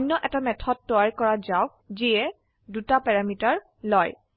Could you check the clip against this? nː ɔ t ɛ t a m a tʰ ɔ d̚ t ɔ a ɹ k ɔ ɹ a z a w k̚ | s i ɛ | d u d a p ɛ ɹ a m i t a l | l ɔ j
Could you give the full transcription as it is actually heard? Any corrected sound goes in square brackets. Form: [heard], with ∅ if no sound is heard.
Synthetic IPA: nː ɔ [ʔ] ɛ t a m [ɛ] tʰ ɔ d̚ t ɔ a ɹ k ɔ ɹ a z a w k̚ | [z] i ɛ | d u [t] a p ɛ ɹ a m i t a [ɹ] | l ɔ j